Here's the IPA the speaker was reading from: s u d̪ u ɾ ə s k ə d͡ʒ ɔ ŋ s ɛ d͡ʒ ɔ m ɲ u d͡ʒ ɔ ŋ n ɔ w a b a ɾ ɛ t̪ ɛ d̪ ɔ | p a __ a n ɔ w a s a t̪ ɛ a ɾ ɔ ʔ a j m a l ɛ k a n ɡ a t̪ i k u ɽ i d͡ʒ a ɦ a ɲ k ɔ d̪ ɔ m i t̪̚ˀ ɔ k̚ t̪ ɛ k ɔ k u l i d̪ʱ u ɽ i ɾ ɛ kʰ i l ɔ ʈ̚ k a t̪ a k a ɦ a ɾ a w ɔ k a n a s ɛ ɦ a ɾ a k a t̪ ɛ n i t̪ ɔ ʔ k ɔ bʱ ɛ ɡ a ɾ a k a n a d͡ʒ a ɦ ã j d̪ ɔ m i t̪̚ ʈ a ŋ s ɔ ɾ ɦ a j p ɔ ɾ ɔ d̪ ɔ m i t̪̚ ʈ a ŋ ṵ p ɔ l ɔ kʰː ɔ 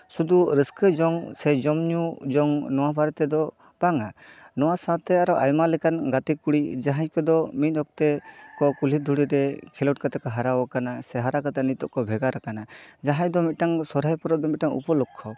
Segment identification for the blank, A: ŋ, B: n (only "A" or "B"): A